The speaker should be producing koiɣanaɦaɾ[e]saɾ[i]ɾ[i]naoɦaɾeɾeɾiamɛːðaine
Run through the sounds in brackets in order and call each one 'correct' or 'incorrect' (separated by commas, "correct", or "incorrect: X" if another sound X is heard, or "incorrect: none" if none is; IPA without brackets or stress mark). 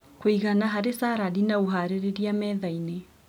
correct, incorrect: a, correct